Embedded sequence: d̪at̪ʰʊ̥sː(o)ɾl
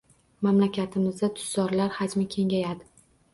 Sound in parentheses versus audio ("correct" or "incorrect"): incorrect